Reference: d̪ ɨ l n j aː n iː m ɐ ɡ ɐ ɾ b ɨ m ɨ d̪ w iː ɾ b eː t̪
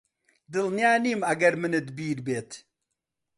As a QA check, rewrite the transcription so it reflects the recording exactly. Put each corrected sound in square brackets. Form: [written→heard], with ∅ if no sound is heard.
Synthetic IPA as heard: d̪ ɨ l n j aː n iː m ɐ ɡ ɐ ɾ [b→m] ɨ [m→n] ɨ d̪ [w→b] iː ɾ b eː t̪